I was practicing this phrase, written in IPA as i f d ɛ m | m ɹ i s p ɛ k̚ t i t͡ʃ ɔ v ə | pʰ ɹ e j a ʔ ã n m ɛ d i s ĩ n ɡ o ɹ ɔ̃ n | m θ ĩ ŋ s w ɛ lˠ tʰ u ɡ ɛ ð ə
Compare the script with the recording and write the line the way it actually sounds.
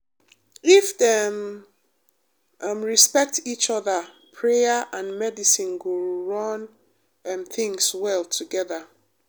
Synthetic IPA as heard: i f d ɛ m | m ɹ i s p ɛ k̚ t i t͡ʃ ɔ ð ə | pʰ ɹ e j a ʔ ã n m ɛ d i s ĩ n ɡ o ɹ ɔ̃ n | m θ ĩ ŋ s w ɛ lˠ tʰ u ɡ ɛ ð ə